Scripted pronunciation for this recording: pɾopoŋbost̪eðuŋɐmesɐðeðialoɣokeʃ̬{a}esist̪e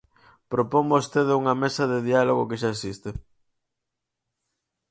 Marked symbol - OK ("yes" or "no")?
yes